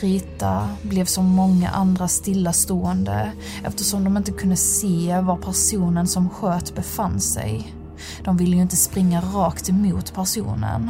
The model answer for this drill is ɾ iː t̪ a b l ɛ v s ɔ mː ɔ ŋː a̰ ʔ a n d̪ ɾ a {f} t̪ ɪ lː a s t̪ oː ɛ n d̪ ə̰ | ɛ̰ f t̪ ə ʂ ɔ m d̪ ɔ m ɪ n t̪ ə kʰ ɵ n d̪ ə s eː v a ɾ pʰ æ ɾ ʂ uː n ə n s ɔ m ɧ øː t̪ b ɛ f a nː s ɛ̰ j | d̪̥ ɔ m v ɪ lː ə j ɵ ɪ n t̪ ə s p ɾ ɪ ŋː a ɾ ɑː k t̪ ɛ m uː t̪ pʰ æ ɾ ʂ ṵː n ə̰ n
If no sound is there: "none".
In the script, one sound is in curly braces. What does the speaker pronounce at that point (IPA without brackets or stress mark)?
s